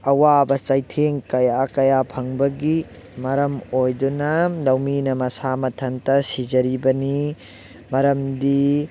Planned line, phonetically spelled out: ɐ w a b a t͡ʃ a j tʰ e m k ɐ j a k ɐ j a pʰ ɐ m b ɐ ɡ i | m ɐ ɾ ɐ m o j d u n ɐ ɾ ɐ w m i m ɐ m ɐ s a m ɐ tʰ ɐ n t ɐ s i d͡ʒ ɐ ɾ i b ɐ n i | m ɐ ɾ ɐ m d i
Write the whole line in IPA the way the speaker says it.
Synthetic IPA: ɐ w a b ɐ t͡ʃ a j tʰ e ŋ k ɐ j a k ɐ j a pʰ ɐ ŋ b ɐ ɡ i | m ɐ ɾ ɐ m o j d u n ɐ l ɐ w m i n ɐ m ɐ s a m ɐ tʰ ɐ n t ɐ s i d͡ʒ ɐ ɾ i b ɐ n i | m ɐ ɾ ɐ m d i